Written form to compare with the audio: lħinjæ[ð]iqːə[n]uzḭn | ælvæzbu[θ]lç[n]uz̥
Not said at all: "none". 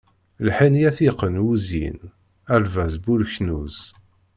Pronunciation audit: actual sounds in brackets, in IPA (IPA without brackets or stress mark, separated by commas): θ, n, none, n